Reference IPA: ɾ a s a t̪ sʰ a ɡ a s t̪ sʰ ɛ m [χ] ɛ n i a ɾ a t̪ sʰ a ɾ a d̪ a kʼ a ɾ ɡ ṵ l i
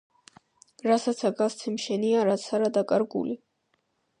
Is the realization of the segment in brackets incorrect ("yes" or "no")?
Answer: yes